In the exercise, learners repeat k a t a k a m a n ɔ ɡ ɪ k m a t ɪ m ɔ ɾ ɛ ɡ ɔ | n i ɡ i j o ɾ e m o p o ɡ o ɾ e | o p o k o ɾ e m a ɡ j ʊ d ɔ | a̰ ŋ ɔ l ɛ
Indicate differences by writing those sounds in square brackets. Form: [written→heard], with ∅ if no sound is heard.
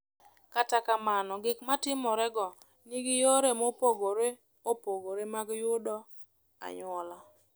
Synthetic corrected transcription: k a t a k a m a n ɔ ɡ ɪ k m a t ɪ m ɔ ɾ ɛ ɡ ɔ | n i ɡ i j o ɾ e m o p o ɡ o ɾ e | o p o [k→ɡ] o ɾ e m a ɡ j ʊ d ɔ | a̰ [ŋ→ɲ] ɔ l [ɛ→a]